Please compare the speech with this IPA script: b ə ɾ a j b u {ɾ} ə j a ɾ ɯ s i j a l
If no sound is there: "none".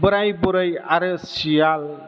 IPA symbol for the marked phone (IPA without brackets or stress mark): ɾ